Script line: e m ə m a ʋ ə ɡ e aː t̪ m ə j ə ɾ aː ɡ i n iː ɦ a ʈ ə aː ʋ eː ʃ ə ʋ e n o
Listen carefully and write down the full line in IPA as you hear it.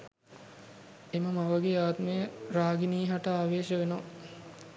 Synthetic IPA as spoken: e m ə m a ʋ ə ɡ e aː t̪ m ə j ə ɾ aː ɡ i n iː ɦ a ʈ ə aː ʋ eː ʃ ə ʋ e n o